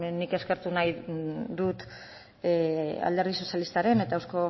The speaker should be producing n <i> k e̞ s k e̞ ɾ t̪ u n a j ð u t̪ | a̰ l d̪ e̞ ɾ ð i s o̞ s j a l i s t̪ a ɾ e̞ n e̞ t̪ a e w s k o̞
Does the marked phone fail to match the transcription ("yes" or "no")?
no